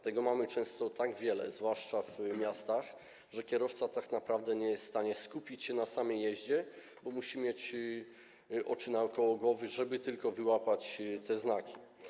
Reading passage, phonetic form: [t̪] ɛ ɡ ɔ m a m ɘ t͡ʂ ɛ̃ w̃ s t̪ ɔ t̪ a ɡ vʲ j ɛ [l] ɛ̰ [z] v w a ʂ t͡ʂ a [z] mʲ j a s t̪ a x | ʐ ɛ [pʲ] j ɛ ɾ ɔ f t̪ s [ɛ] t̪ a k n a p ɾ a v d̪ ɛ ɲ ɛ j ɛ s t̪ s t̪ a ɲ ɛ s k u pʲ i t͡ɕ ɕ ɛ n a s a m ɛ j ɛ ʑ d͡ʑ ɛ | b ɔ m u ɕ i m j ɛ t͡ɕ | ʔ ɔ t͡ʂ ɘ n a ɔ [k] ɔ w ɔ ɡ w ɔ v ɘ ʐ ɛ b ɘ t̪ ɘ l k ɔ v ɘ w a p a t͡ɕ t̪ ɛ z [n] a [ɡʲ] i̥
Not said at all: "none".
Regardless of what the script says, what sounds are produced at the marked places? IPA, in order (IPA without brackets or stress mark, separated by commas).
t̪, l, z, v, kʲ, a, k, n, kʲ